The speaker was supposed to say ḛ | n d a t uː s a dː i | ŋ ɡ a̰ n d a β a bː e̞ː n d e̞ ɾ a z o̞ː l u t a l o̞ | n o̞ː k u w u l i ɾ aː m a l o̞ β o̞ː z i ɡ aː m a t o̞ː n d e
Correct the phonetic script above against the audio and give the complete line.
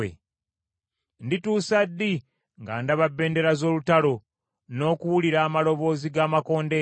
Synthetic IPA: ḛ | n d i t uː s a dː i | ŋ ɡ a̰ n d a β a bː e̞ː n d e̞ ɾ a z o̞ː l u t a l o̞ | n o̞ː k u w u l i ɾ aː m a l o̞ β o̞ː z i ɡ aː m a k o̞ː n d e